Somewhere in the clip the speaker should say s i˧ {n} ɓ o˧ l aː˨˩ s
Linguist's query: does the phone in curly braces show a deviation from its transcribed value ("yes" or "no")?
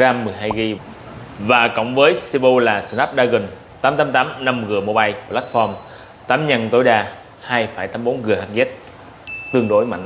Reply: yes